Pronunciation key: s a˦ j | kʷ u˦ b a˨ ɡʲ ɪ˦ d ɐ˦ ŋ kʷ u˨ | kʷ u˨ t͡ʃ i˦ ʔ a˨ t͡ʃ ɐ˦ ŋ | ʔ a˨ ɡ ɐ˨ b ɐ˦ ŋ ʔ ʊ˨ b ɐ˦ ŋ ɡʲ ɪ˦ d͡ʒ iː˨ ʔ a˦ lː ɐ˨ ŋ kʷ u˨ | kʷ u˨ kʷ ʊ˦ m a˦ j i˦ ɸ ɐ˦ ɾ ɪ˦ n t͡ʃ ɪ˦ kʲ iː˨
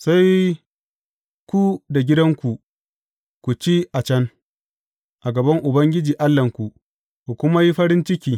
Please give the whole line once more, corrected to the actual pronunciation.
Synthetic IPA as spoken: s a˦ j | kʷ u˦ d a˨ ɡʲ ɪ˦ d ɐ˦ ŋ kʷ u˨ | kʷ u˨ t͡ʃ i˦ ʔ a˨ t͡ʃ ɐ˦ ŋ | ʔ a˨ ɡ ɐ˨ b ɐ˦ ŋ ʔ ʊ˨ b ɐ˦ ŋ ɡʲ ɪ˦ d͡ʒ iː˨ ʔ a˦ lː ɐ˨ ŋ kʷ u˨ | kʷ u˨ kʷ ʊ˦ m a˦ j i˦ ɸ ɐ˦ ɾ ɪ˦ n t͡ʃ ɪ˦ kʲ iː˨